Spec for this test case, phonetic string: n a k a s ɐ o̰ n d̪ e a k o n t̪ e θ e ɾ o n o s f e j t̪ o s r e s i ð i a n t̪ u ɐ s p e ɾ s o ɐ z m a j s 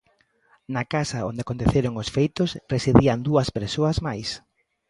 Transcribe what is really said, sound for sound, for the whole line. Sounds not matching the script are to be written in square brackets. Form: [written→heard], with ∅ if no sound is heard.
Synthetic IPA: n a k a s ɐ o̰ n d̪ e a k o n t̪ e θ e ɾ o [n→ŋ] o s f e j t̪ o s r e s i ð i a n [t̪→d̪] u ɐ s p e ɾ s o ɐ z m a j s